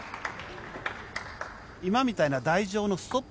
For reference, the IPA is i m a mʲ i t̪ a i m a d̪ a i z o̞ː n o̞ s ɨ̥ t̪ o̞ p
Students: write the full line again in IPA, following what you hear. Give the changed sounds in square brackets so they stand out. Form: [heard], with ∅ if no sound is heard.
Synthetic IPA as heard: i m a mʲ i t̪ a i [n] a d̪ a i [ʑ] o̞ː n o̞ s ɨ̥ t̪ o̞ p